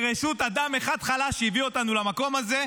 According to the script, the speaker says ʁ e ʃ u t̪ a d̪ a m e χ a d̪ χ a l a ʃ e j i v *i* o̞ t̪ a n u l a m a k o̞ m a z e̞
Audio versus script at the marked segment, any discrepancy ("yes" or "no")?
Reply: no